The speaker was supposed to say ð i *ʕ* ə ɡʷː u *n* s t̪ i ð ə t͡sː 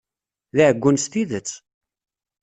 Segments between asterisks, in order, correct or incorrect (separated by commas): correct, correct